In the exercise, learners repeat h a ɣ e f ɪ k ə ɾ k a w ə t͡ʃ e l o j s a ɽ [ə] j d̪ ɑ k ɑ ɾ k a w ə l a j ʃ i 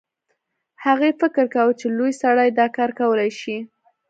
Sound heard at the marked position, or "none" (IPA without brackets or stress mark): a